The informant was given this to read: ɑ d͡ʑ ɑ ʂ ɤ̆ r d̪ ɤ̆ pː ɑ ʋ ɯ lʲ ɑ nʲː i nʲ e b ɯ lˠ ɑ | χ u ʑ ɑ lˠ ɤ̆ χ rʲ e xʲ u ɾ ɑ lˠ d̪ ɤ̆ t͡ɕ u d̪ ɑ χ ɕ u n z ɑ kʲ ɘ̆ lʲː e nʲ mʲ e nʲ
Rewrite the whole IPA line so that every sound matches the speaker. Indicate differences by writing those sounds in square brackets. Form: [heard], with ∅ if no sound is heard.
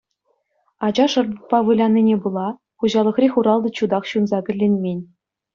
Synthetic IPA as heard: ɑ d͡ʑ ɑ ʂ ɤ̆ r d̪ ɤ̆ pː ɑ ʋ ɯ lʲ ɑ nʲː i nʲ e b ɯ lˠ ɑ | χ u ʑ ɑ lˠ ɤ̆ χ rʲ e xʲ u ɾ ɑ lˠ d̪ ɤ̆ t͡ɕ u d̪ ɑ χ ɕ u n z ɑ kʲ ɘ̆ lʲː e nʲ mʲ e nʲ

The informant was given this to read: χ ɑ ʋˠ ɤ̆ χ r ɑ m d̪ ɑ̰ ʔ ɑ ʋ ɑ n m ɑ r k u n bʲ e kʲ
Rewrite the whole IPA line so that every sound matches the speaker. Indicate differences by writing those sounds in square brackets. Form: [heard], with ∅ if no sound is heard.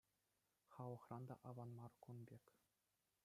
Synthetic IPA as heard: χ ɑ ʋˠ ɤ̆ χ r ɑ [n] d̪ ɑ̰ ʔ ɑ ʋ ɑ n m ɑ r k u n bʲ e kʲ

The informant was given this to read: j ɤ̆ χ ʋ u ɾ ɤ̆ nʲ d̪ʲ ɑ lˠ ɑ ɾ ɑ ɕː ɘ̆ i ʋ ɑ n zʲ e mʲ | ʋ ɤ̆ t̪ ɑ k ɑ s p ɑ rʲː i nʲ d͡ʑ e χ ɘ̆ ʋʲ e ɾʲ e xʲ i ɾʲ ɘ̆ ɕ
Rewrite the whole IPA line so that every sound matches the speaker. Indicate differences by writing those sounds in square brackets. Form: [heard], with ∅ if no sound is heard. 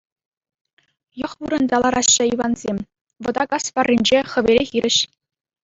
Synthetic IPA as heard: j ɤ̆ χ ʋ u ɾ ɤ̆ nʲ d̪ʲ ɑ lˠ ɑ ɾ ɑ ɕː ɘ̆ i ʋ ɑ n zʲ e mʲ | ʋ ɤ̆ [d̪] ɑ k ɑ s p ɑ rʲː i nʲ d͡ʑ e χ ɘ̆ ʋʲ e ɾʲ e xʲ i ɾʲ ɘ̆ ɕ

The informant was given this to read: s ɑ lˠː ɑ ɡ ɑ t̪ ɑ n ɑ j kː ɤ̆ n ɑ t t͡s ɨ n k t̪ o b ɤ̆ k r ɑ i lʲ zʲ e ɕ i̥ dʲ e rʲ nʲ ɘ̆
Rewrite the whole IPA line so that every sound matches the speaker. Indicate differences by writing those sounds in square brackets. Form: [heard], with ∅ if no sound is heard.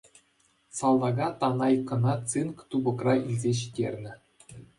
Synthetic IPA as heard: s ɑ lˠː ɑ ɡ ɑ t̪ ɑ n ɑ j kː ɤ̆ n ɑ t t͡s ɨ n k t̪ [u] b ɤ̆ k r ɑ i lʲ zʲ e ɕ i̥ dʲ e rʲ nʲ ɘ̆

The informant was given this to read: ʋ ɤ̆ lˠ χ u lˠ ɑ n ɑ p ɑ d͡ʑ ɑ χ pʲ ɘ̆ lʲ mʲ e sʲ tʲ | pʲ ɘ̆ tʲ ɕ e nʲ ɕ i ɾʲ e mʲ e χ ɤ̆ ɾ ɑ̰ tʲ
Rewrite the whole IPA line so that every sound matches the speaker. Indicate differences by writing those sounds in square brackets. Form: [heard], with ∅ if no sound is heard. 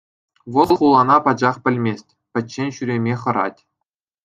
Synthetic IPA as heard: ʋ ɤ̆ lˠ χ u lˠ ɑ n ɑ p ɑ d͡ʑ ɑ χ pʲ ɘ̆ lʲ mʲ e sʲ tʲ | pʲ ɘ̆ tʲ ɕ e nʲ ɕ [y] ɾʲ e mʲ e χ ɤ̆ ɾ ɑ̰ tʲ

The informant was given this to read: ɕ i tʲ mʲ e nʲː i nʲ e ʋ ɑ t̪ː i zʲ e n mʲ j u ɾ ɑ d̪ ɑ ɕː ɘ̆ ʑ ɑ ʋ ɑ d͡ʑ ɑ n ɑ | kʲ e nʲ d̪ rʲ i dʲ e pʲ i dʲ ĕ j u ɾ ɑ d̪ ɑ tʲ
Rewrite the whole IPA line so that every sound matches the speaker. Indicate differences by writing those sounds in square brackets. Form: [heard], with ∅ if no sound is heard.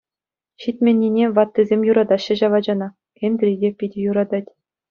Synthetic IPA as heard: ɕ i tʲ mʲ e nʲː i nʲ e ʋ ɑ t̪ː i zʲ e [∅] mʲ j u ɾ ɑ d̪ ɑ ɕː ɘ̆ ʑ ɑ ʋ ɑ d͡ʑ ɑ n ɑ | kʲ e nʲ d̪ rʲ i dʲ e pʲ i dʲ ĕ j u ɾ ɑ d̪ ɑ tʲ

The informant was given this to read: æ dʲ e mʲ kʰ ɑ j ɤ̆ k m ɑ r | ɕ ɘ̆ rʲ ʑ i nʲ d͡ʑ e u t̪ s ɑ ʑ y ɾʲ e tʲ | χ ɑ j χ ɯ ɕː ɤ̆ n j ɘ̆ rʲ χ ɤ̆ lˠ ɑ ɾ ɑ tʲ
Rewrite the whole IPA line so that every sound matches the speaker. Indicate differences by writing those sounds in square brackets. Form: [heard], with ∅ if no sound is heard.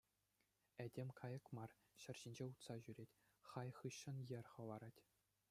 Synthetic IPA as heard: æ dʲ e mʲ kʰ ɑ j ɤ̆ k m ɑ r | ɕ ɘ̆ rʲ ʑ i nʲ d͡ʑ e u t̪ s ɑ ʑ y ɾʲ e tʲ | χ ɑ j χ ɯ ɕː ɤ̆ n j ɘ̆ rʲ χ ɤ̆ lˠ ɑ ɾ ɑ tʲ

